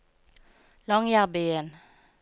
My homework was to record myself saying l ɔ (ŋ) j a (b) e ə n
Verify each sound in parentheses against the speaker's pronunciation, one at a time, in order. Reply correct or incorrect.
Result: correct, correct

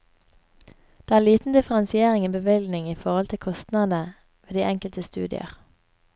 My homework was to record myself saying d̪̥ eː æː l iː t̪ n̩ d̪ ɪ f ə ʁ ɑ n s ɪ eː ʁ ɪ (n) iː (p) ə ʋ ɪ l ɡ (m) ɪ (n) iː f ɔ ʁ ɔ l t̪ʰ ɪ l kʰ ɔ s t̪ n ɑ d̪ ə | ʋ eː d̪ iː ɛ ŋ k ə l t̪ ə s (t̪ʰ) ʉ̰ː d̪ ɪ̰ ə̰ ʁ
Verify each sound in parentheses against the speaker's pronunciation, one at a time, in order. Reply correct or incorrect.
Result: incorrect, incorrect, incorrect, incorrect, incorrect

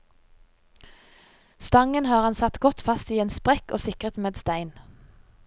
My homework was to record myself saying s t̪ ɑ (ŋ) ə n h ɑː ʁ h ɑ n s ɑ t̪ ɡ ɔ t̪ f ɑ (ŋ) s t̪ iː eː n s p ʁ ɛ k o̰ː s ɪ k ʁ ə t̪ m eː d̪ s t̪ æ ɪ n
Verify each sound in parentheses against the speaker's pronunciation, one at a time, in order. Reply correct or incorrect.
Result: correct, incorrect

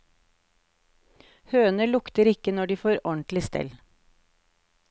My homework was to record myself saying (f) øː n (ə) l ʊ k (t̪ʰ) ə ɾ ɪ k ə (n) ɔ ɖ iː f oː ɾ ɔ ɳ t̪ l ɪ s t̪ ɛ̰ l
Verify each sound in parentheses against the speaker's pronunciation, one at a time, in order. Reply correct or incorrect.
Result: incorrect, correct, incorrect, correct

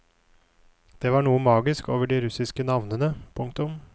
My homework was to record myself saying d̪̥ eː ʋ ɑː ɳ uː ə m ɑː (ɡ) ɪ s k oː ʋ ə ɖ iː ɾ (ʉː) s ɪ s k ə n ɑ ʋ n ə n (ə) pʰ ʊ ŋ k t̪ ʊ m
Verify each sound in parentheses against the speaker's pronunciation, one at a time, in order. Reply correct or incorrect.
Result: correct, incorrect, correct

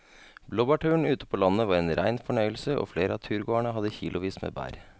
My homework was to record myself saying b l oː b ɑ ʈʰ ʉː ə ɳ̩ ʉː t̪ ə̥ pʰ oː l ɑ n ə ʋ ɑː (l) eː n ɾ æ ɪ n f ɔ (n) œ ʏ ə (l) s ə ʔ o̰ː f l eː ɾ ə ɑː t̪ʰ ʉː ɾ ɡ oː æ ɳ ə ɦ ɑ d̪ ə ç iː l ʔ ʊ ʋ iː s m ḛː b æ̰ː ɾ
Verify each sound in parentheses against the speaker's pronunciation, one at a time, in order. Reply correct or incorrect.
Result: incorrect, incorrect, correct

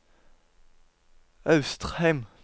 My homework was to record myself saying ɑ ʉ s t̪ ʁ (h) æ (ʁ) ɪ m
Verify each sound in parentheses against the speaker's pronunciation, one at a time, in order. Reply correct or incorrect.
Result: correct, incorrect

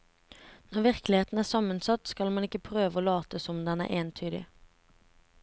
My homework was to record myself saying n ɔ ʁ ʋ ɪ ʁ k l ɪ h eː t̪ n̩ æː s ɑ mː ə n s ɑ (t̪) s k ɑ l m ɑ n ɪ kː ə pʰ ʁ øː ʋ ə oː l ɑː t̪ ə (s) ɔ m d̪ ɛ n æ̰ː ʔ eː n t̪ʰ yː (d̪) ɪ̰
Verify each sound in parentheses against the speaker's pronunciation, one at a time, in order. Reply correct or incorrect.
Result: correct, correct, correct

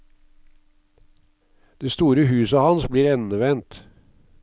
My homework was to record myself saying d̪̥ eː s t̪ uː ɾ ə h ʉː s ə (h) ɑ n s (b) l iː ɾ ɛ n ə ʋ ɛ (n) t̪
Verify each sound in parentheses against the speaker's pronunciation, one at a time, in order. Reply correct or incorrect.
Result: correct, correct, correct

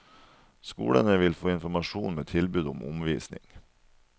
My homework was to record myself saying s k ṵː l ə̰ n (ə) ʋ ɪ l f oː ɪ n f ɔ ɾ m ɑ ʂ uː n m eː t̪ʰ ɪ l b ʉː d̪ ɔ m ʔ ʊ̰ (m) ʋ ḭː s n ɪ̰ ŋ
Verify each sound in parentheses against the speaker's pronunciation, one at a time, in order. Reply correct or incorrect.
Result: correct, correct

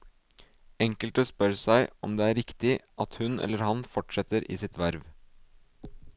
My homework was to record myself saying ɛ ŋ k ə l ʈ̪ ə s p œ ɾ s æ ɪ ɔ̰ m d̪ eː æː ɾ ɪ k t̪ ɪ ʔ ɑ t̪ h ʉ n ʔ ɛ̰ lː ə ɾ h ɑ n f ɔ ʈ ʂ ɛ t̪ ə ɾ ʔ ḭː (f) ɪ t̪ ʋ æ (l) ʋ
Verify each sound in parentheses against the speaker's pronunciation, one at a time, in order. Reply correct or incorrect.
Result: incorrect, incorrect

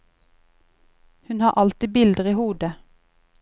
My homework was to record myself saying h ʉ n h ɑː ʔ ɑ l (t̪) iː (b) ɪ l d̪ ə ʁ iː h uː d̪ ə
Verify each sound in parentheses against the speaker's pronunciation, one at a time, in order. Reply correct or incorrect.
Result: correct, correct

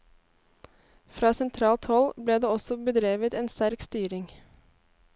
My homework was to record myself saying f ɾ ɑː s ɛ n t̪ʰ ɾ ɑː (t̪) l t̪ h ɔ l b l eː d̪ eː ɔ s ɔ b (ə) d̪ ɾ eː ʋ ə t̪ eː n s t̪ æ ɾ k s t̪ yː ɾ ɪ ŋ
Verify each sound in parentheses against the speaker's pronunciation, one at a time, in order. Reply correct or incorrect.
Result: incorrect, correct

